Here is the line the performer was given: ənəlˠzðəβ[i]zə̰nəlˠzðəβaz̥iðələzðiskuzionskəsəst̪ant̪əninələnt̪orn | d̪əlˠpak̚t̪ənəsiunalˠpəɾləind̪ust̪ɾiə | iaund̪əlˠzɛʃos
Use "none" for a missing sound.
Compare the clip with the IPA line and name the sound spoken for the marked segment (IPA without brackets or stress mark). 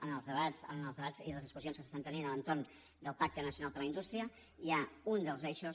a